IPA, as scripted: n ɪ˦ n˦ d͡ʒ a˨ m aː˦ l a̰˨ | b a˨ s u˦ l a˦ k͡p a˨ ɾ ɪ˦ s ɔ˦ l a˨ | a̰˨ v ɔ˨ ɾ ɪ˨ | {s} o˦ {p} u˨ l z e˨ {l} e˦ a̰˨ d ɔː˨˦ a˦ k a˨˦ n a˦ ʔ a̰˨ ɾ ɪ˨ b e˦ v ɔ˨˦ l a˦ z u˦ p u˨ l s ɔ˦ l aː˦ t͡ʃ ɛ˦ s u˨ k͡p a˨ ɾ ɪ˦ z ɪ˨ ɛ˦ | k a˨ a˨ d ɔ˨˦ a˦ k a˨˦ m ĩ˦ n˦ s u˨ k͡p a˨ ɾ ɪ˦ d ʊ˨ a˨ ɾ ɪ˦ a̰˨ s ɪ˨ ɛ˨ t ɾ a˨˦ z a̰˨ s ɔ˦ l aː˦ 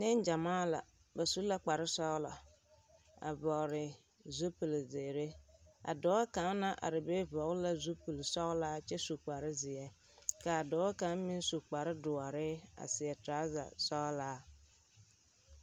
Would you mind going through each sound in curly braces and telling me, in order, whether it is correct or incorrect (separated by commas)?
incorrect, correct, incorrect